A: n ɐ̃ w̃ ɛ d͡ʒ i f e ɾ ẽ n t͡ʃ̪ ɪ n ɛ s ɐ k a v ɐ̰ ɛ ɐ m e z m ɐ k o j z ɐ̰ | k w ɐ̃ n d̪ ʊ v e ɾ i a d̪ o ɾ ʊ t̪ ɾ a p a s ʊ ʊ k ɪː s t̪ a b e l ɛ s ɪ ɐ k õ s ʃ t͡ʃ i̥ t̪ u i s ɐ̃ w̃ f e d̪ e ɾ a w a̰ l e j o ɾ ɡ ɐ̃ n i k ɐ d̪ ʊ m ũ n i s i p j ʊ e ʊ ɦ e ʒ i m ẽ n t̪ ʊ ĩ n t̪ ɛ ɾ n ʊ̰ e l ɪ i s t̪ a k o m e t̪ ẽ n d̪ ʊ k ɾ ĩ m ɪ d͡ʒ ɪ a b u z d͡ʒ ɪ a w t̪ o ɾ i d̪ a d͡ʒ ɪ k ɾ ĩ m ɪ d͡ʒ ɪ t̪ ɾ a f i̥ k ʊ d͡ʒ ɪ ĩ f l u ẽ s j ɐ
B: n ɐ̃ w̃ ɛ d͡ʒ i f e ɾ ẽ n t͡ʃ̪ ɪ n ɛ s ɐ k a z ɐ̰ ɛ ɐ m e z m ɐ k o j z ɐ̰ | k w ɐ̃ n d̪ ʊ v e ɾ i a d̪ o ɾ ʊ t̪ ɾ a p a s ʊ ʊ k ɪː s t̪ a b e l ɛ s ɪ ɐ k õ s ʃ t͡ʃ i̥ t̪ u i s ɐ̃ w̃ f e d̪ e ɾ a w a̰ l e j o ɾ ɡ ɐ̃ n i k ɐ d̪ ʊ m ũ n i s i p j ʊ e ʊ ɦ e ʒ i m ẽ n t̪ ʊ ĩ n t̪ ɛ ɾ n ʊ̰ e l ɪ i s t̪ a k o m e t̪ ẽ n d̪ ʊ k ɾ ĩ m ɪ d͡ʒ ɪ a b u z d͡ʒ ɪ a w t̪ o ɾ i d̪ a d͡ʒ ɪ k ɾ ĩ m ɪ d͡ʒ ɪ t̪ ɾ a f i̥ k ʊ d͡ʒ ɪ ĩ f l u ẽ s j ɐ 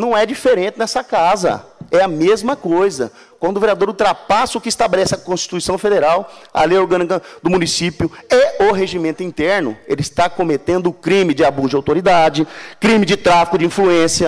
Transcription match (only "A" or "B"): B